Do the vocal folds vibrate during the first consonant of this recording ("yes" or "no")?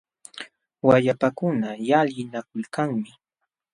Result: yes